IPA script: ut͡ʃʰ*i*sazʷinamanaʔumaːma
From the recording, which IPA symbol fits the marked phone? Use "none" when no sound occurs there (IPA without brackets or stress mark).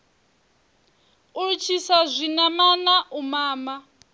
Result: i